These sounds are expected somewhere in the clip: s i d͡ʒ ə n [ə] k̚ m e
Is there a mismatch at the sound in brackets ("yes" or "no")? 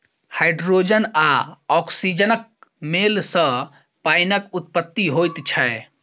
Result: no